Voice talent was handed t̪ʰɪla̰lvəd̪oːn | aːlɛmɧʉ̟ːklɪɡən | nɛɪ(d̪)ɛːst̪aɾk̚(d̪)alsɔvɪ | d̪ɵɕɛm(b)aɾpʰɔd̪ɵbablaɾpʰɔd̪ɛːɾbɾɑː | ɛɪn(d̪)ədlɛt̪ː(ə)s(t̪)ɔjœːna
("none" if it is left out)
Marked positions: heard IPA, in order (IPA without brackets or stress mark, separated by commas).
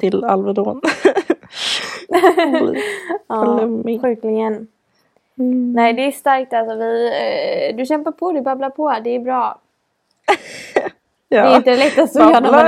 d̪, t̪, p, t̪, a, t̪